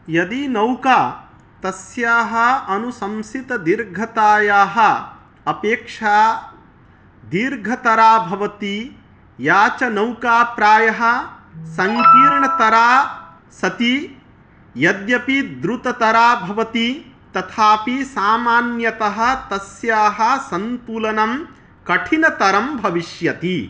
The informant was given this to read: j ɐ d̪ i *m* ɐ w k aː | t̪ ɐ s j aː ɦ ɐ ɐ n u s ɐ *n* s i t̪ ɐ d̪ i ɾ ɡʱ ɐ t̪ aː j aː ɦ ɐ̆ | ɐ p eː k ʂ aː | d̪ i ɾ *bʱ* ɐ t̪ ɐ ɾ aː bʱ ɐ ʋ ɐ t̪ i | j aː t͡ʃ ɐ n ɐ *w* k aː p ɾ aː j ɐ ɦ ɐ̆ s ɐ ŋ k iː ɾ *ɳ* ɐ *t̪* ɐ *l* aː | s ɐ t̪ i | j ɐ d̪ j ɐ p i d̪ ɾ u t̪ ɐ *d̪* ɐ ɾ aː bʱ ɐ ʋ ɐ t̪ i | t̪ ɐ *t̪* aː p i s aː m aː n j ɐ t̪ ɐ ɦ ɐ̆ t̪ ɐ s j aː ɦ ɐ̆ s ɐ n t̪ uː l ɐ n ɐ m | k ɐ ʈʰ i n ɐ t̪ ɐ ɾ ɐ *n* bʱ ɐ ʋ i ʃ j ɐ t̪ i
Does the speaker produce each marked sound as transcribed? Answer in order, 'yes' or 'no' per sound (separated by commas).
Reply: no, no, no, yes, yes, yes, no, no, no, no